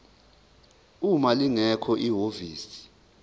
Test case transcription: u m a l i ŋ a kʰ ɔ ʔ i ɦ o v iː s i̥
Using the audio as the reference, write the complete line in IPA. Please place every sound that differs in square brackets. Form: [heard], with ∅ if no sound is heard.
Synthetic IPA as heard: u m a l i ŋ [ɛ] kʰ ɔ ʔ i ɦ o v iː s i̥